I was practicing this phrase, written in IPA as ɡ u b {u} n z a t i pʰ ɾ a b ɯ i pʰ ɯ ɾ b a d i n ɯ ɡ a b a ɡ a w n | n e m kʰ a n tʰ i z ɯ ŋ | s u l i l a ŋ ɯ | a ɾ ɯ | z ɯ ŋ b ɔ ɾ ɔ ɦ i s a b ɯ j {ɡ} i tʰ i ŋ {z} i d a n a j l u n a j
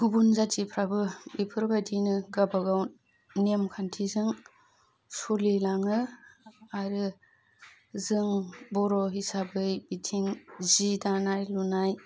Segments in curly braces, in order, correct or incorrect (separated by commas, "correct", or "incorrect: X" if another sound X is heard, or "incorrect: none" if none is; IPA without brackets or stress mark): correct, incorrect: b, correct